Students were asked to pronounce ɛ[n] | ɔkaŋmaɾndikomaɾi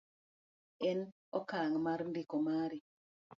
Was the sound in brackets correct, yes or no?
yes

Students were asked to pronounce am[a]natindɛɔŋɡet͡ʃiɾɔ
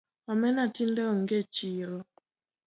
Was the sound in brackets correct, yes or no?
no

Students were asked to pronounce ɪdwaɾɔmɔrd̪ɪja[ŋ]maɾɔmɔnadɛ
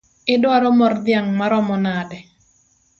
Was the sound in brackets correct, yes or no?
yes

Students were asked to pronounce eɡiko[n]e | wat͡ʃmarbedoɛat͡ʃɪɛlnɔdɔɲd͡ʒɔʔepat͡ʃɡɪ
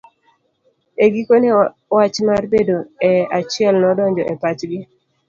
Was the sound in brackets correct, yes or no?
yes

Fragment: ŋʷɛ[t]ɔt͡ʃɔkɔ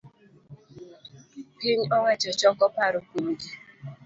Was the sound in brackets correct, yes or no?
no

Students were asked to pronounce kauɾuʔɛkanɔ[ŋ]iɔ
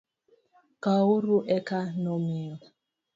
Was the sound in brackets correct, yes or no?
no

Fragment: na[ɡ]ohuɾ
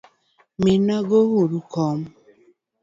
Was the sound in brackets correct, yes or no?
yes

